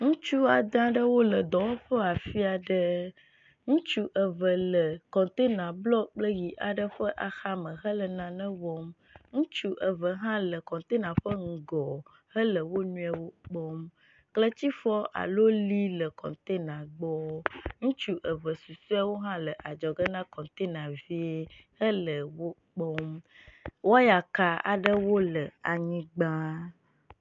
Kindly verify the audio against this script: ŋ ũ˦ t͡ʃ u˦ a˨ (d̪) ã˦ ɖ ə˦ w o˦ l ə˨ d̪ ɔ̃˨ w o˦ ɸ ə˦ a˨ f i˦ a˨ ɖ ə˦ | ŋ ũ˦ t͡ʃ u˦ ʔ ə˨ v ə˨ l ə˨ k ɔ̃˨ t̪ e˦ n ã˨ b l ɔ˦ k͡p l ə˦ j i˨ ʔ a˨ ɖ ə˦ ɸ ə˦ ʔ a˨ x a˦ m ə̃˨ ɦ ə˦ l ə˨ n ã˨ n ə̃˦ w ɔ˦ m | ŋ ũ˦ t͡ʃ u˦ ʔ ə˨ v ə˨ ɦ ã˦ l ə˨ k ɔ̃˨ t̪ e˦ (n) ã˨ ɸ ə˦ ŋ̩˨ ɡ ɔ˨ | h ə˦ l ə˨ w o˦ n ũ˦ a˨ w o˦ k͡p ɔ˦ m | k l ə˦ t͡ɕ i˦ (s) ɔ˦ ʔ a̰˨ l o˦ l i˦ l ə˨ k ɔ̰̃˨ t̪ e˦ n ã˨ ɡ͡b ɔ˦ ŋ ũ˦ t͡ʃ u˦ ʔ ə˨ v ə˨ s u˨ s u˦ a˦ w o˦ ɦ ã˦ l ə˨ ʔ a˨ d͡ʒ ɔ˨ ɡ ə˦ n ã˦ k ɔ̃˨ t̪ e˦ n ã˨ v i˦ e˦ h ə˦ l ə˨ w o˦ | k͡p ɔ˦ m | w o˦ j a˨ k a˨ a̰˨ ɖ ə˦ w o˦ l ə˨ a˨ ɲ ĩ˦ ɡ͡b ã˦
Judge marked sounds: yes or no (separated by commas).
yes, yes, no